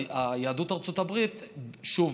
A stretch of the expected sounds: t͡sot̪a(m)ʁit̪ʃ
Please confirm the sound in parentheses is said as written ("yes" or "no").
no